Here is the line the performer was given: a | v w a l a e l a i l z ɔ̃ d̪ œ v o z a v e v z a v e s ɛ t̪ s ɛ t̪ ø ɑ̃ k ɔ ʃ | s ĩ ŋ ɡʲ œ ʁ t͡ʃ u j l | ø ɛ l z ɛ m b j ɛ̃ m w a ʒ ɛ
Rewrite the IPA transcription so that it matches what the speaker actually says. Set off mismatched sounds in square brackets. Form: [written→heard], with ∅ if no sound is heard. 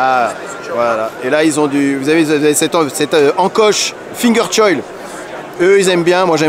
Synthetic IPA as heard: a | v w a l a e l a i l z ɔ̃ d̪ [œ→y] v [o→u] z a v e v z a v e s ɛ t̪ s ɛ t̪ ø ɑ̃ k ɔ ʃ | [s→f] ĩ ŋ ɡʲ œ ʁ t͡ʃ [u→ɔ] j l | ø [ɛ→i] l z ɛ m b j ɛ̃ m w a ʒ ɛ

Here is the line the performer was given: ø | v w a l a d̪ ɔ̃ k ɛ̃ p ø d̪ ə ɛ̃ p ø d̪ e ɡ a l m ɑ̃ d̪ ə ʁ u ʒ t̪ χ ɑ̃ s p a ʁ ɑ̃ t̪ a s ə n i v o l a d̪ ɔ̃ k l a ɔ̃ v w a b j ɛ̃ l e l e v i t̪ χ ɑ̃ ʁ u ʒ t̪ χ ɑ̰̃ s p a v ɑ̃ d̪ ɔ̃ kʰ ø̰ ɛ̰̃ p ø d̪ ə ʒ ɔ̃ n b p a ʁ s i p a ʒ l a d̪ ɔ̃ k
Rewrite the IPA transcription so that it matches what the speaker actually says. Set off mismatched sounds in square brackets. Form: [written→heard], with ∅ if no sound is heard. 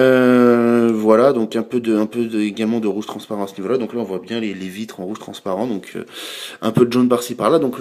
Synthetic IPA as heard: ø | v w a l a d̪ ɔ̃ k ɛ̃ p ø d̪ ə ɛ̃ p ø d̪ e ɡ a l m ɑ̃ d̪ ə ʁ u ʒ t̪ χ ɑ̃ s p a ʁ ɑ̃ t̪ a s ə n i v o l a d̪ ɔ̃ k l a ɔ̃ v w a b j ɛ̃ l e l e v i t̪ χ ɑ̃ ʁ u ʒ t̪ χ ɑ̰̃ s p a [v→ʁ] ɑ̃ d̪ ɔ̃ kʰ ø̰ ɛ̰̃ p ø d̪ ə ʒ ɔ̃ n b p a ʁ s i p a [ʒ→ʁ] l a d̪ ɔ̃ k

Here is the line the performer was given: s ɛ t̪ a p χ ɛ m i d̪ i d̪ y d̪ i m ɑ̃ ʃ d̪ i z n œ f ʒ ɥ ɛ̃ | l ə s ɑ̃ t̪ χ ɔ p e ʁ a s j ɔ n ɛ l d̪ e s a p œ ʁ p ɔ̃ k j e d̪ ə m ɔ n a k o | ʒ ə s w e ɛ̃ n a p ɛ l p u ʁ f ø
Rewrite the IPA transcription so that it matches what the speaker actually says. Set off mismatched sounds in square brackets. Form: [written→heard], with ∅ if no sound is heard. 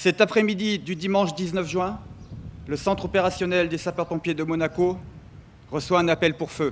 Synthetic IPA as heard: s ɛ t̪ a p χ ɛ m i d̪ i d̪ y d̪ i m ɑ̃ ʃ d̪ i z n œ f ʒ ɥ ɛ̃ | l ə s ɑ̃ t̪ χ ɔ p e ʁ a s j ɔ n ɛ l d̪ e s a p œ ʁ p ɔ̃ [k→p] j e d̪ ə m ɔ n a k o | [ʒ→ʁ] ə s w [e→a] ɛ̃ n a p ɛ l p u ʁ f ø

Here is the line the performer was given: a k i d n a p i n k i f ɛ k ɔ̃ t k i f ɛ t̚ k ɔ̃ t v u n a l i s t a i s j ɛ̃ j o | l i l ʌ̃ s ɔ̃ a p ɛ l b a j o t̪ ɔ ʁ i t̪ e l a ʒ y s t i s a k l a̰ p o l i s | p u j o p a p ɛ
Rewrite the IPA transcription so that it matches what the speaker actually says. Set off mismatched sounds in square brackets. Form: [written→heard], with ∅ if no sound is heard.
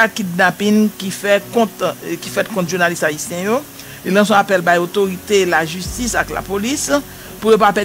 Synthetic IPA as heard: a k i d n a p i n k i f ɛ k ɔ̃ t k i f ɛ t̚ k ɔ̃ t [v→ʒ] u n a l i s t a i s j ɛ̃ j o | l i l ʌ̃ s ɔ̃ a p ɛ l b a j o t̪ [ɔ→o] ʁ i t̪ e l a ʒ y s t i s a k l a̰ p o l i s | p u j o p a p ɛ

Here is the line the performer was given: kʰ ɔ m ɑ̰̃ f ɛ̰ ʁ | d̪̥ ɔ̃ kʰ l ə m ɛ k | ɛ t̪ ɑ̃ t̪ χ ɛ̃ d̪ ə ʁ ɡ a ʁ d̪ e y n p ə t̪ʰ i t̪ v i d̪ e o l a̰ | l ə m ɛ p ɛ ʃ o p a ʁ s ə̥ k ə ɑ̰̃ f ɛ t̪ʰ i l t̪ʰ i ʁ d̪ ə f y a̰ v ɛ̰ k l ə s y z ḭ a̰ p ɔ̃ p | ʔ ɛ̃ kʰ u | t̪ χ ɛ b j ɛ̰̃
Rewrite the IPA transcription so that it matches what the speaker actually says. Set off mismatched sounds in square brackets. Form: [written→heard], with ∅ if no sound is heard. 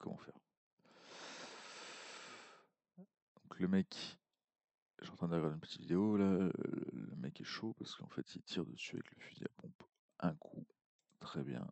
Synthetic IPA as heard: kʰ ɔ m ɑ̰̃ f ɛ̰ ʁ | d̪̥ ɔ̃ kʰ l ə m ɛ k | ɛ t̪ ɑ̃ t̪ χ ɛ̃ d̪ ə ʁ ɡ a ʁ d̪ e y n p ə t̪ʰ i t̪ v i d̪ e o l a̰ | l ə m ɛ [p→k] ɛ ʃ o p a ʁ s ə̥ k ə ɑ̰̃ f ɛ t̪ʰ i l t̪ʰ i ʁ d̪ ə [f→s] y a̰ v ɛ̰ k l ə [s→f] y z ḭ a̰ p ɔ̃ p | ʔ ɛ̃ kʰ u | t̪ χ ɛ b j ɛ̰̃

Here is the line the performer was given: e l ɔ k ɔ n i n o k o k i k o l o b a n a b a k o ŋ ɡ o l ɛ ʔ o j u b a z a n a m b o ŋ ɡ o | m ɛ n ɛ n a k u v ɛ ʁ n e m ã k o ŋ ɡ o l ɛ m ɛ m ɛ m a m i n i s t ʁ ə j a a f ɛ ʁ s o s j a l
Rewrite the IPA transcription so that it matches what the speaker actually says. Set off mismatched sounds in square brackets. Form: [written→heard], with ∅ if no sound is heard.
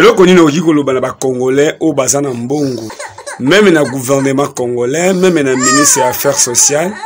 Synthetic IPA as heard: e l ɔ k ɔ n i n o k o k i k o l o b a n a b a k o ŋ ɡ o l ɛ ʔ o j [u→o] b a z a n a m b o ŋ ɡ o | m ɛ [n→m] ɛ n a [k→ɡ] u v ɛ ʁ n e m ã k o ŋ ɡ o l ɛ m ɛ m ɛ [m→n] a m i n i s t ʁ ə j a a f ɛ ʁ s o s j a l

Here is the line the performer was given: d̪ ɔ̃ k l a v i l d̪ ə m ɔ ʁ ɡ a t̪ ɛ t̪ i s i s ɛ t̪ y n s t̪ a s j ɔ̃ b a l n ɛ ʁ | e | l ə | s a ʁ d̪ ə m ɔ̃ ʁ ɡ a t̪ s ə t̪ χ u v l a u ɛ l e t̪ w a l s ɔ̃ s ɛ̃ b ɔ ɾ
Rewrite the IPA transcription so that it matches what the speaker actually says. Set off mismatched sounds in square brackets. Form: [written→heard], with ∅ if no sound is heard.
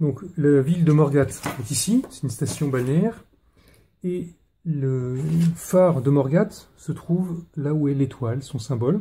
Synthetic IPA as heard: d̪ ɔ̃ k l a v i l d̪ ə m ɔ ʁ ɡ a t̪ ɛ t̪ i s i s ɛ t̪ y n s t̪ a s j ɔ̃ b a l n ɛ ʁ | e | l ə | [s→f] a ʁ d̪ ə m [ɔ̃→ɔ] ʁ ɡ a t̪ s ə t̪ χ u v l a u ɛ l e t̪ w a l s ɔ̃ s ɛ̃ b ɔ [ɾ→l]

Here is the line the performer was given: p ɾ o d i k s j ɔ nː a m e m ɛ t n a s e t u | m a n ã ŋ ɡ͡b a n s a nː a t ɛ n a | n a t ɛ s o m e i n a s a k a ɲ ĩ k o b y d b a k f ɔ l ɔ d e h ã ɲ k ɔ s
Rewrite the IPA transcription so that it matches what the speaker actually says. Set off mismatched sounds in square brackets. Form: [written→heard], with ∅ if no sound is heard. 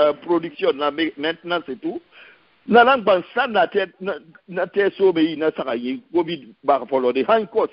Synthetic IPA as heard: p ɾ o d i k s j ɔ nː a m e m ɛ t n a s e t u | [m→n] a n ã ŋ ɡ͡b a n s a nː a t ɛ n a | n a t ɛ s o m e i n a s a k a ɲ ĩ k o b [y→i] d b a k f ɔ l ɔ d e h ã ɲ k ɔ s

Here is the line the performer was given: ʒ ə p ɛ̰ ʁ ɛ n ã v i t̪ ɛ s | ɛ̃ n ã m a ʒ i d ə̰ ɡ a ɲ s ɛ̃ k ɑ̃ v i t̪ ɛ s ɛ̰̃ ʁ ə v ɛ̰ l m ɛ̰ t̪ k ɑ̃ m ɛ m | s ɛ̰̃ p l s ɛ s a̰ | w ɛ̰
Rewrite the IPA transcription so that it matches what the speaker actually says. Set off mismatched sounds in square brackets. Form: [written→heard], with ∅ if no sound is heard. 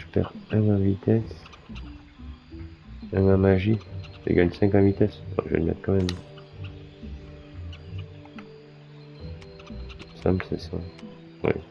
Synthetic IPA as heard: ʒ ə p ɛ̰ ʁ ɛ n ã v i t̪ ɛ s | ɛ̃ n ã m a ʒ i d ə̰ ɡ a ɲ s ɛ̃ k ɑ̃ v i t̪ ɛ s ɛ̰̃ [ʁ→ʒ] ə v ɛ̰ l m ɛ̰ t̪ k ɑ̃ m ɛ m | s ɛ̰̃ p l s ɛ s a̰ | w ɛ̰

